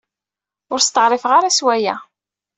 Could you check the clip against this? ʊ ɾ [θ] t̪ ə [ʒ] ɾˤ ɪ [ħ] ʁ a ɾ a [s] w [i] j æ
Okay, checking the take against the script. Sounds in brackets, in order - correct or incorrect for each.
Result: incorrect: s, incorrect: ʁ, incorrect: f, correct, incorrect: æ

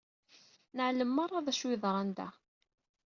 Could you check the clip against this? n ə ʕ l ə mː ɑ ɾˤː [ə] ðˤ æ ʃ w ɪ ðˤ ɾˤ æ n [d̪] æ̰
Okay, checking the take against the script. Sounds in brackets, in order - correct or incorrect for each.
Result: incorrect: ɑ, correct

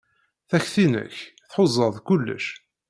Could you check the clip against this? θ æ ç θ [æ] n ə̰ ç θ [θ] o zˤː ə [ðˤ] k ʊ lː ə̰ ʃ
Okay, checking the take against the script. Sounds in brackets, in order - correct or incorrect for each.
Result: incorrect: i, incorrect: ħ, correct

